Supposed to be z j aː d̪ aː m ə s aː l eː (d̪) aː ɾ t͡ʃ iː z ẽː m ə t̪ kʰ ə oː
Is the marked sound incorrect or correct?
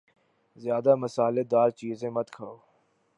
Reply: correct